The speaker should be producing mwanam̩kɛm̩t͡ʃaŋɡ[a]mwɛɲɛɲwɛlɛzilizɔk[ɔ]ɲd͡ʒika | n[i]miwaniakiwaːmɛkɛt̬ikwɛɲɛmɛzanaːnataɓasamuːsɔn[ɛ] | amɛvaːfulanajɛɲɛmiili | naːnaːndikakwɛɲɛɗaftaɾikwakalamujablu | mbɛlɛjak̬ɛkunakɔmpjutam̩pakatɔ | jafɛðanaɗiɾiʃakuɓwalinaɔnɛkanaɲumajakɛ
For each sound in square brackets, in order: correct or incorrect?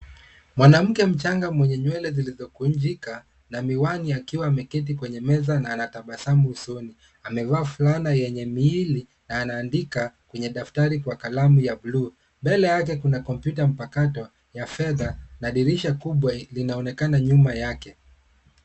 correct, incorrect, incorrect, incorrect

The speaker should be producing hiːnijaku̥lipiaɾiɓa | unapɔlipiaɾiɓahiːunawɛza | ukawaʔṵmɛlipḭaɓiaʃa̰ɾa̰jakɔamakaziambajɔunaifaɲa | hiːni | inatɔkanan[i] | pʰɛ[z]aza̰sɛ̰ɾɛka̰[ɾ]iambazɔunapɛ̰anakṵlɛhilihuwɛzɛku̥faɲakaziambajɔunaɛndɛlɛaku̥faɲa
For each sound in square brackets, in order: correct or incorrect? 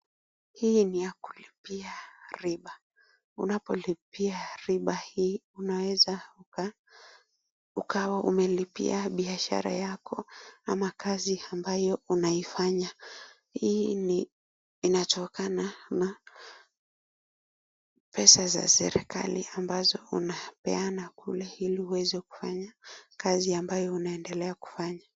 incorrect, incorrect, incorrect

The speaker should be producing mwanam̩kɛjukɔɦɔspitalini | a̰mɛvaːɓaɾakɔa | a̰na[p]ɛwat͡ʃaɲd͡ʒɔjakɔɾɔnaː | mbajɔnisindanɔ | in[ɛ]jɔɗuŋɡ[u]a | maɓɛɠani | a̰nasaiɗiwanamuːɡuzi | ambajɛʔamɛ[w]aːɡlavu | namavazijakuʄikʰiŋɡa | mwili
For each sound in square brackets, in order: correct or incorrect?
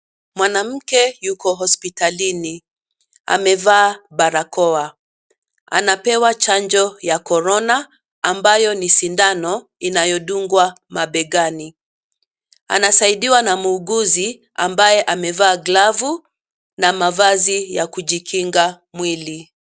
correct, incorrect, incorrect, incorrect

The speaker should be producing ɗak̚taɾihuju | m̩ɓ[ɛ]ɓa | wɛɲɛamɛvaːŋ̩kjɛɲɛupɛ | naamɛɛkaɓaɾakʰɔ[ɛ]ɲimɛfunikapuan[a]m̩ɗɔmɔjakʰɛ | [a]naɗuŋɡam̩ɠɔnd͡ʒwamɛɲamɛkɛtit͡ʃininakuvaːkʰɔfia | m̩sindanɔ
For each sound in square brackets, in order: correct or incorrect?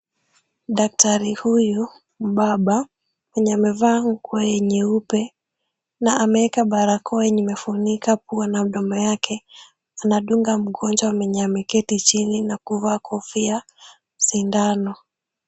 incorrect, correct, correct, correct

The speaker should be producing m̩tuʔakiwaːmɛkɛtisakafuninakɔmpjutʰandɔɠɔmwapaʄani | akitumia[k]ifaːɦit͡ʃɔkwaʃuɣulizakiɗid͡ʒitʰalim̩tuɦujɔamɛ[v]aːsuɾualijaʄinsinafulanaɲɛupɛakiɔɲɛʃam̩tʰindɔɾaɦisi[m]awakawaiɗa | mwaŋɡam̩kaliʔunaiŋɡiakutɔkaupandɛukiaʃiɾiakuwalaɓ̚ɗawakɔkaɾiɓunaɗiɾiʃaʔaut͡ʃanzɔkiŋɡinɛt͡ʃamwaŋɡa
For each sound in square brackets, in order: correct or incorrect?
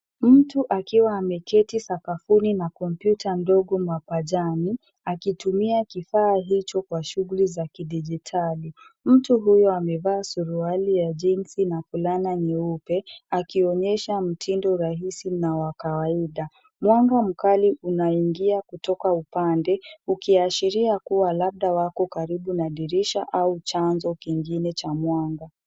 correct, correct, incorrect

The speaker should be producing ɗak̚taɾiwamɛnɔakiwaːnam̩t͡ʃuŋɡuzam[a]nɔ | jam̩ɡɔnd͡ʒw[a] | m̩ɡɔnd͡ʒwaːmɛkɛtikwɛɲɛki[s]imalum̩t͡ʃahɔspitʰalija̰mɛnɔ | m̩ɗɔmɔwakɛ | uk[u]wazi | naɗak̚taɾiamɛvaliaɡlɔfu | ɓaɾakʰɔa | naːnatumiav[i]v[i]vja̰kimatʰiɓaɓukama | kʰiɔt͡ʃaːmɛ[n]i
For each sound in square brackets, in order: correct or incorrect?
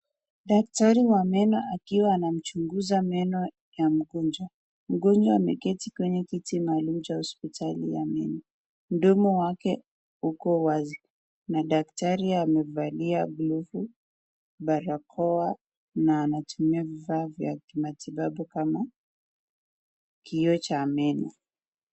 incorrect, correct, incorrect, incorrect, correct, incorrect, correct

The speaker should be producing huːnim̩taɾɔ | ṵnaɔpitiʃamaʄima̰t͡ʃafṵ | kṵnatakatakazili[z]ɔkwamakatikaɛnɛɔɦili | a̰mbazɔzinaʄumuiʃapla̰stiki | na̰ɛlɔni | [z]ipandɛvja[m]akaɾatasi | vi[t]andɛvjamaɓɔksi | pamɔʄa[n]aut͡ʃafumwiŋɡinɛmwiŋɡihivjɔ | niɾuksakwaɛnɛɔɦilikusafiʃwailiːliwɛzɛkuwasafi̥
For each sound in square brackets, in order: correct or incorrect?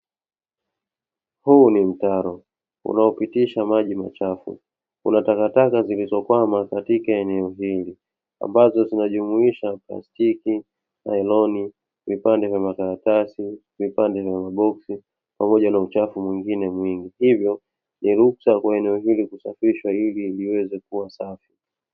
correct, incorrect, correct, incorrect, correct

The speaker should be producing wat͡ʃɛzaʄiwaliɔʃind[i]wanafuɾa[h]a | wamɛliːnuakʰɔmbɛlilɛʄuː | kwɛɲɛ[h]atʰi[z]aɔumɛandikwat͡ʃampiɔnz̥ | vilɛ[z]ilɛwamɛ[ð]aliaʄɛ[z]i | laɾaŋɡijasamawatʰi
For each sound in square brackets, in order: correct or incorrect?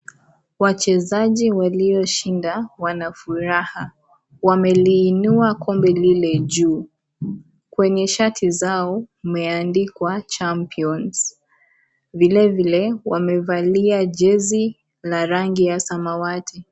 incorrect, correct, incorrect, correct, incorrect, incorrect, correct

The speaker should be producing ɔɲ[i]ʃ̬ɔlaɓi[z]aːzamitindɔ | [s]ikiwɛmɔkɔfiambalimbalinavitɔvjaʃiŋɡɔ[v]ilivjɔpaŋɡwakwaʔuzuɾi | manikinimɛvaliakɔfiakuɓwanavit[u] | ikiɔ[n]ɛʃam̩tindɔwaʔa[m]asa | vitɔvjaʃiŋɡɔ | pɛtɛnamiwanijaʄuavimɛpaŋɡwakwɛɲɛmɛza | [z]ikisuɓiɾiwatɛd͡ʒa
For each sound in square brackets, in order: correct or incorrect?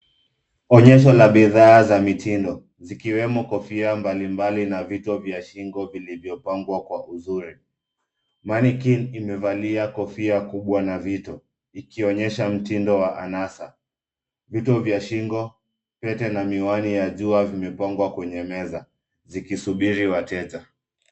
incorrect, incorrect, incorrect, correct, incorrect, incorrect, incorrect, correct

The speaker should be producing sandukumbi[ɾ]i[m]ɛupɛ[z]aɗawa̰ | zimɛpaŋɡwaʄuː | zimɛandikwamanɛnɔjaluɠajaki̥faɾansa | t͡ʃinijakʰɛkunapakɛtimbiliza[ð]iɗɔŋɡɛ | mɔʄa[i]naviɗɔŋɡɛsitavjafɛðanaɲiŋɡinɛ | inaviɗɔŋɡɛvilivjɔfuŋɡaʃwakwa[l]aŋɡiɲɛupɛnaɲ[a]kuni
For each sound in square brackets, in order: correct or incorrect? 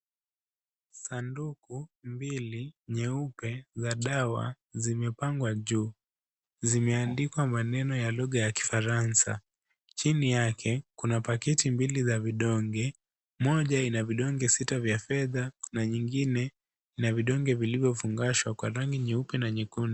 incorrect, incorrect, correct, incorrect, correct, incorrect, incorrect

